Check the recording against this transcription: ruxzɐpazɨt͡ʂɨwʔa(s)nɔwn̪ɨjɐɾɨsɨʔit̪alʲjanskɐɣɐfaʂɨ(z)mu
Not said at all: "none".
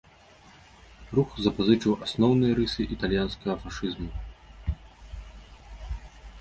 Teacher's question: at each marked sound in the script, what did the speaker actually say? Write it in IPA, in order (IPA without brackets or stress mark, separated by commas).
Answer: s, z